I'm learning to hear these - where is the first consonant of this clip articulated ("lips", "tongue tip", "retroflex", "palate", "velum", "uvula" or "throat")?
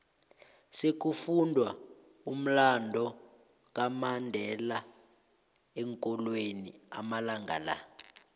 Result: tongue tip